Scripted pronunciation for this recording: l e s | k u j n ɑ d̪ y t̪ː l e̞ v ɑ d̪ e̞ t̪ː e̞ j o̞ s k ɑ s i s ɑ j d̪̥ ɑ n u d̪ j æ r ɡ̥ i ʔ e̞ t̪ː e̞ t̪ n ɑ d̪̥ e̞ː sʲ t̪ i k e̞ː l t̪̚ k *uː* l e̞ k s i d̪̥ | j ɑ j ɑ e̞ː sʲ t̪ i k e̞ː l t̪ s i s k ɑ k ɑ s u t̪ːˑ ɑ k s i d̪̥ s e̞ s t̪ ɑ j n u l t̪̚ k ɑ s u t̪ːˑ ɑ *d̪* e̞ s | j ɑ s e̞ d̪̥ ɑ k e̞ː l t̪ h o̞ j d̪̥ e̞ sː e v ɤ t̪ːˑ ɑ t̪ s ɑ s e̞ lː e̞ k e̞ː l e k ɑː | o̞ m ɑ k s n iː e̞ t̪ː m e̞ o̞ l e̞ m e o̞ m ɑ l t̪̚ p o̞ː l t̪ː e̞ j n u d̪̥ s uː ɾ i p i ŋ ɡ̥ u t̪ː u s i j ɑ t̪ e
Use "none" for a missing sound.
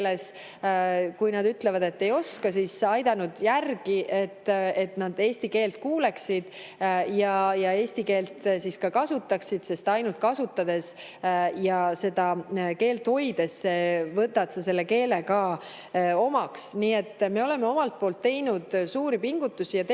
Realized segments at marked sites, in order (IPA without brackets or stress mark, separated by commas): uː, d̪